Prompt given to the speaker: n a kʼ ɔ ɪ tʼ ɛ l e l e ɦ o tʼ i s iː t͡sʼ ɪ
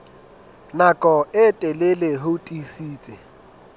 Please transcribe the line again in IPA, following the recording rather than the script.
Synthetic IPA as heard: n a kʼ ɔ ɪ tʼ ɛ l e l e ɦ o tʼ i s iː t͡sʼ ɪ